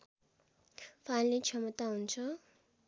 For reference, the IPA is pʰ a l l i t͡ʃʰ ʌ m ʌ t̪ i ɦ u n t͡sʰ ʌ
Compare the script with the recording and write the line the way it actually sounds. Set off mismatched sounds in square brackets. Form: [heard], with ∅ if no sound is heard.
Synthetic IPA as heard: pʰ a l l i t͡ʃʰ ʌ m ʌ t̪ [a] ɦ u n t͡sʰ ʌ